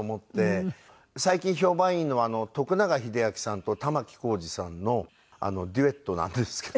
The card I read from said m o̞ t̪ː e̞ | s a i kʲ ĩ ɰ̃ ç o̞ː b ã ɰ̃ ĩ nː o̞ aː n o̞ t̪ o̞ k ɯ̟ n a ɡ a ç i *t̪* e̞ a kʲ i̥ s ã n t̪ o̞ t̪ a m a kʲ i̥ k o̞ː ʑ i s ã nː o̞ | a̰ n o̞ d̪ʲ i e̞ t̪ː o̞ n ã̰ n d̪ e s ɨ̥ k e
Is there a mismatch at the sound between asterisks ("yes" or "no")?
yes